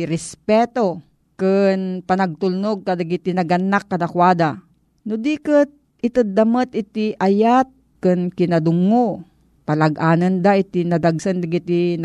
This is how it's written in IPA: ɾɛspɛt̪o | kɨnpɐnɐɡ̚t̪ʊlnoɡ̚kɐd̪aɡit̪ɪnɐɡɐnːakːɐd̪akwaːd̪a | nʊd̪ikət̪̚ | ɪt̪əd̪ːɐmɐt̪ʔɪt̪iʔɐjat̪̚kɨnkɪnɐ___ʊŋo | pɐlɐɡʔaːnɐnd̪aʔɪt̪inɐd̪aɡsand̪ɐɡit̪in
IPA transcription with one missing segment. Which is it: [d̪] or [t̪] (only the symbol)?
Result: d̪